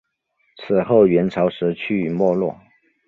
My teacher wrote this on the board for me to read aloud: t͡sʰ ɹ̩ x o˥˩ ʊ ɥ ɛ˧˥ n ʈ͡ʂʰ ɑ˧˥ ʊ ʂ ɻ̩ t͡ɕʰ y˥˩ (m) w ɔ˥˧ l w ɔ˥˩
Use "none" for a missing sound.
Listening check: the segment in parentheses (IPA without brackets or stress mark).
m